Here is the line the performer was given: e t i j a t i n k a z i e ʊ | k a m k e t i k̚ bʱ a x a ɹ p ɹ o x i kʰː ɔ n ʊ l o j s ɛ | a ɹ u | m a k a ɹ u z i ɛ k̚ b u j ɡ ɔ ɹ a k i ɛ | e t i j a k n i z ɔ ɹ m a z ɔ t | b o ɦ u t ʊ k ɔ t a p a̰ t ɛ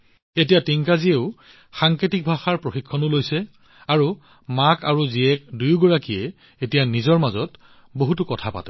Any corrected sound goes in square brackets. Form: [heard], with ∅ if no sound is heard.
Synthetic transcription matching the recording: e t i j a t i [ŋ] k a z i e ʊ | [x] a [ŋ] k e t i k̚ bʱ a x a ɹ p ɹ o x i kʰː ɔ n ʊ l o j s ɛ | a ɹ u | m a k a ɹ u z i ɛ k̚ [d] u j ɡ ɔ ɹ a k i ɛ | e t i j a [∅] n i z ɔ ɹ m a z ɔ t | b o ɦ u t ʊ k ɔ [tʰ] a p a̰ t ɛ